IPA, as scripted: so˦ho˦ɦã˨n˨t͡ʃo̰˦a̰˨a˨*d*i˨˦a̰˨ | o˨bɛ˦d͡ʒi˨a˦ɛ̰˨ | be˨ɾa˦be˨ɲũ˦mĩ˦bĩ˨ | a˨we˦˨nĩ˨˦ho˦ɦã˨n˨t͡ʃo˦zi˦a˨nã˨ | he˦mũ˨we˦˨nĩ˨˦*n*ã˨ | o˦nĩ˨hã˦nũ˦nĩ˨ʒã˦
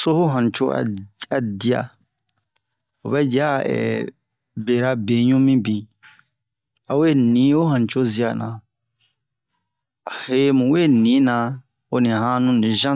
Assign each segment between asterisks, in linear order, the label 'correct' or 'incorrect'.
correct, correct

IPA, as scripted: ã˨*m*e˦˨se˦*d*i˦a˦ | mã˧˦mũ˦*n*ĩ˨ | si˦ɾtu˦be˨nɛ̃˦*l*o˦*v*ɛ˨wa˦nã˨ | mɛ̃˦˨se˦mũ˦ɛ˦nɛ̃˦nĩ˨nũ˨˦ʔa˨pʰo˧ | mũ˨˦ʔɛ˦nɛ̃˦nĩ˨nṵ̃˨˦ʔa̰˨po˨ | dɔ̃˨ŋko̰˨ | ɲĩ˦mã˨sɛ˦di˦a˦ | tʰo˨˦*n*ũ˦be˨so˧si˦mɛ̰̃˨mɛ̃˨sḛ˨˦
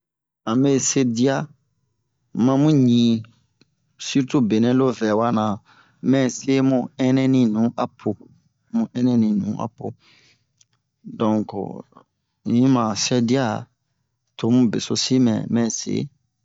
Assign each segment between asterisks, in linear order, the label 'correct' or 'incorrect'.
correct, correct, incorrect: ɲ, correct, correct, incorrect: m

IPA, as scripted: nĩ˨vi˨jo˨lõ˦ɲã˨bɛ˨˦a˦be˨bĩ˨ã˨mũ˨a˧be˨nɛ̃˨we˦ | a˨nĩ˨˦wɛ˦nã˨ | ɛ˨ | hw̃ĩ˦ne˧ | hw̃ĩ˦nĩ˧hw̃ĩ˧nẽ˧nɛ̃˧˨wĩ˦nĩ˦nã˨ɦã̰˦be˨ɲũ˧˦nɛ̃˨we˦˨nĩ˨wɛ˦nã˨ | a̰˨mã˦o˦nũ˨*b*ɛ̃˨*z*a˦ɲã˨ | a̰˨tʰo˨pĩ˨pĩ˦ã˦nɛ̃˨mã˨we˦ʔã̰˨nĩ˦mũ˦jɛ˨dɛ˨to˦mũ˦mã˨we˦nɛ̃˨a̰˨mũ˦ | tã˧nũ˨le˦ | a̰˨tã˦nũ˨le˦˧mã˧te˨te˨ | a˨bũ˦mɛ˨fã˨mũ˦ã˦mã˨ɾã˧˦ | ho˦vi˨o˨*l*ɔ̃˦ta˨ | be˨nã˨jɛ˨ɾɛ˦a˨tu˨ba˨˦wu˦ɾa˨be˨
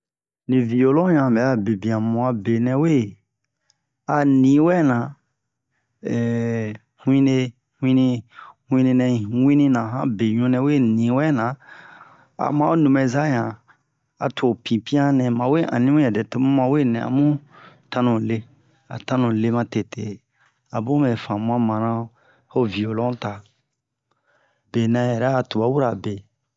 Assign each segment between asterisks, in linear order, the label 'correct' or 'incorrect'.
incorrect: m, correct, correct

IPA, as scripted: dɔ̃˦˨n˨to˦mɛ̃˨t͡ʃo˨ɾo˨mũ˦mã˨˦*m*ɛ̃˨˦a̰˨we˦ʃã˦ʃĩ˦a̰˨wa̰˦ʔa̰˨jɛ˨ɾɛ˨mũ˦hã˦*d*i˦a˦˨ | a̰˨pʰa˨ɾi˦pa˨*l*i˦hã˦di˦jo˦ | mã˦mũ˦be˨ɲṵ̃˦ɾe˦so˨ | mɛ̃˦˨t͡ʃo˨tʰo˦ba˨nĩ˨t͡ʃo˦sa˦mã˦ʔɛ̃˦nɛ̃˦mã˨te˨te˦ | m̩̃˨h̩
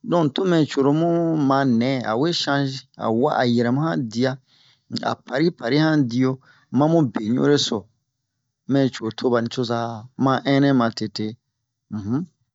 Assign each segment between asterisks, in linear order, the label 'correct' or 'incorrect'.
incorrect: n, correct, incorrect: ɾ

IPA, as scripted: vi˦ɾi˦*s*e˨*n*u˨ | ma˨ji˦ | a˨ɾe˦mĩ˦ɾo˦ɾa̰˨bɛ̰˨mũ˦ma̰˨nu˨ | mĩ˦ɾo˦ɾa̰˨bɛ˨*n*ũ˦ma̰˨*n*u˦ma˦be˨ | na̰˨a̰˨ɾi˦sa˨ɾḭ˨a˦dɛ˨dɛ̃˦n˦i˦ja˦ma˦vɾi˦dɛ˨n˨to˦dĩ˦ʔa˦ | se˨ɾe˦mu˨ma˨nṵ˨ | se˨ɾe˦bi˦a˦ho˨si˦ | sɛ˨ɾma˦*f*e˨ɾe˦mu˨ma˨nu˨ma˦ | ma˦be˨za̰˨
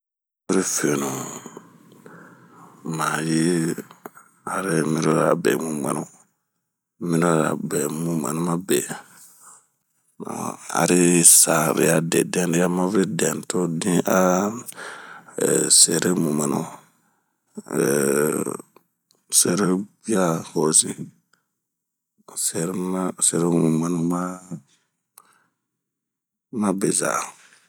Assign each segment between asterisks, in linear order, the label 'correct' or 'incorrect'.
incorrect: f, correct, incorrect: m, correct, incorrect: s

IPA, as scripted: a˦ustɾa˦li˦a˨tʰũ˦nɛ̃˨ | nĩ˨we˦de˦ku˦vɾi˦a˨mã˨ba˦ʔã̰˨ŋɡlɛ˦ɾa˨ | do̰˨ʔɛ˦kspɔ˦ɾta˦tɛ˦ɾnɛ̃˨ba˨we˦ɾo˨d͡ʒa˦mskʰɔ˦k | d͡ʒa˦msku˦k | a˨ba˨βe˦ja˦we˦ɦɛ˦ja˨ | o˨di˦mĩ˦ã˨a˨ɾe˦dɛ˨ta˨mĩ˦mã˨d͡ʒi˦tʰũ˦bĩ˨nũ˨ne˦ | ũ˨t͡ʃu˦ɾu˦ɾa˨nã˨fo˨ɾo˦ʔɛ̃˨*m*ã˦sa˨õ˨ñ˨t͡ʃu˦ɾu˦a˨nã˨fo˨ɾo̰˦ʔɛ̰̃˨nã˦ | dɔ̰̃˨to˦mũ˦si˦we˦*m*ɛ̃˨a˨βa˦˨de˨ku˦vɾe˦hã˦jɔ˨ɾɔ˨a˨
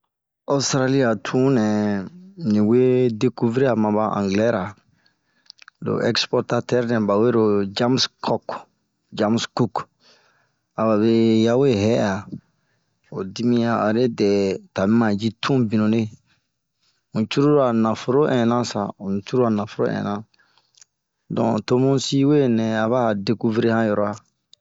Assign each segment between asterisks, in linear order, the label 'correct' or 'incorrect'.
incorrect: n, incorrect: n

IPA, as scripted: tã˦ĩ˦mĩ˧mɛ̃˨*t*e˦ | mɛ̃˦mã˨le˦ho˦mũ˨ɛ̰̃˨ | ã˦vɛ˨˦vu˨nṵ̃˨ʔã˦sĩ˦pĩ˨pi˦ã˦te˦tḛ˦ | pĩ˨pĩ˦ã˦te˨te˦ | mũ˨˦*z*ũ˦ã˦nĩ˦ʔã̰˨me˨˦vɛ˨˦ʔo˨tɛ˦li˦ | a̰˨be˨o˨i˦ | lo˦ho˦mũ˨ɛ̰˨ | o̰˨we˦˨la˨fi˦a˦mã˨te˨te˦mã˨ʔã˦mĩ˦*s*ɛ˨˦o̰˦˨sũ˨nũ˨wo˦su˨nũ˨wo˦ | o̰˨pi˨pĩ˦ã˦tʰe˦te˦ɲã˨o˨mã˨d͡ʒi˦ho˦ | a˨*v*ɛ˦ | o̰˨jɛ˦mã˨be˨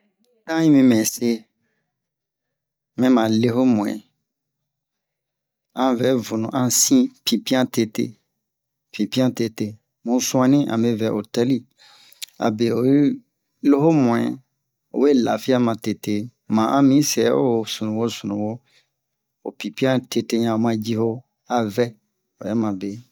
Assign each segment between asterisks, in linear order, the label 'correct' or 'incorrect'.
incorrect: s, incorrect: s, correct, correct

